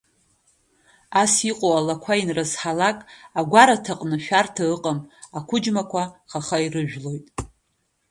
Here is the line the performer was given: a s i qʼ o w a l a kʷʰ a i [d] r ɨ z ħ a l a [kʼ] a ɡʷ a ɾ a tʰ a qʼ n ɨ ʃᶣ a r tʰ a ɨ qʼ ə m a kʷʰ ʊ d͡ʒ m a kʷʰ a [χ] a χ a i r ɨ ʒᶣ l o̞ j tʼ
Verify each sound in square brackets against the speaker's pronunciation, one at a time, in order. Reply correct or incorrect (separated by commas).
incorrect, correct, correct